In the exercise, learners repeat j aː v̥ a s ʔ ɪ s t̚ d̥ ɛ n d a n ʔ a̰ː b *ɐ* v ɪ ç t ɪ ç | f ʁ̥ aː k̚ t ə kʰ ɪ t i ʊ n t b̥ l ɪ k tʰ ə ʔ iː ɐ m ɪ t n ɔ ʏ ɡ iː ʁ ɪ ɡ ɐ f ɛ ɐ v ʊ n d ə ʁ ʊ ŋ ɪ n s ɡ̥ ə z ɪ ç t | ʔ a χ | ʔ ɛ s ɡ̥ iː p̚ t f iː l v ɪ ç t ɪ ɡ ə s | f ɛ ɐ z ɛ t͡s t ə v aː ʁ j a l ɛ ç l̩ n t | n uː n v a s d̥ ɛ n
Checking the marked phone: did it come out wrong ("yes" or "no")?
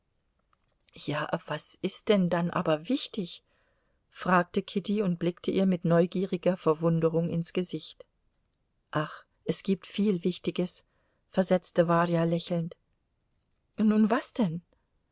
no